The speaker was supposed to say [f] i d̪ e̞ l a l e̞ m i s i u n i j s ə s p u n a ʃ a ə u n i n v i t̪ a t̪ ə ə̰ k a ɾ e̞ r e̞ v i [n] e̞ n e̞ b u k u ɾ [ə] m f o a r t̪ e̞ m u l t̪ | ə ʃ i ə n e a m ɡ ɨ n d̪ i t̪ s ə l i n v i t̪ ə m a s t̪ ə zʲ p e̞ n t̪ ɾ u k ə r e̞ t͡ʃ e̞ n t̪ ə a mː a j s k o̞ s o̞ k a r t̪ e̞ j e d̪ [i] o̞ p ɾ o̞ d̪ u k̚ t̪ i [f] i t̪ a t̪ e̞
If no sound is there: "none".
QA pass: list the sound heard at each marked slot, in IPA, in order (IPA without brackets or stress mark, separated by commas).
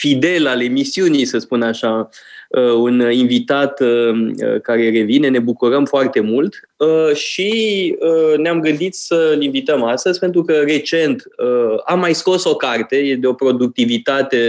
f, n, ə, e, v